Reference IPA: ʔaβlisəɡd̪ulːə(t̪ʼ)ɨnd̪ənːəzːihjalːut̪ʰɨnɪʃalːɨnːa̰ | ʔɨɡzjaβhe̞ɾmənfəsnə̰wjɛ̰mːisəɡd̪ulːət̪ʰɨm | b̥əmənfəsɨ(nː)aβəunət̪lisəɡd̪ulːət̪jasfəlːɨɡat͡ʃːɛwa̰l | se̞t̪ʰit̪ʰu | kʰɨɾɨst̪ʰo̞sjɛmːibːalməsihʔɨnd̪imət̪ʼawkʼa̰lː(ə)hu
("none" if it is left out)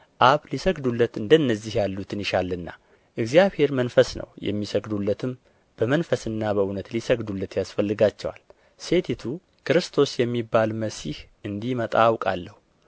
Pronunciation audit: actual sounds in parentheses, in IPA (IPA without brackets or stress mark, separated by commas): t̪, nː, ə